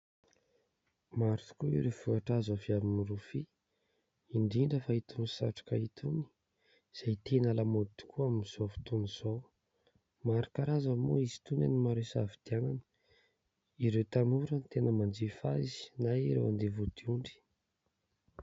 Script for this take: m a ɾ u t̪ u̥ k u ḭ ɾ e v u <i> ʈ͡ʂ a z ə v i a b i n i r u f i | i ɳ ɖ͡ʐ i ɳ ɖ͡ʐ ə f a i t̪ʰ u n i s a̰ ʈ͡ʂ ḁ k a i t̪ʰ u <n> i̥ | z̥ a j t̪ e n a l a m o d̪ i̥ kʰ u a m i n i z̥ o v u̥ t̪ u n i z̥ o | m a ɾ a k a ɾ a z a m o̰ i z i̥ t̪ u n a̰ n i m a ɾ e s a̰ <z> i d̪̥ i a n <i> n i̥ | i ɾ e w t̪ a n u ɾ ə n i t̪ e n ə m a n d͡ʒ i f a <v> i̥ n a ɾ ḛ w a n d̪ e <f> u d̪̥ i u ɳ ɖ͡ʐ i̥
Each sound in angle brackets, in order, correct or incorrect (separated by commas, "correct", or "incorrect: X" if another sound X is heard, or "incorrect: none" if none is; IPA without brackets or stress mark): incorrect: a, correct, incorrect: v, incorrect: a, incorrect: z, incorrect: v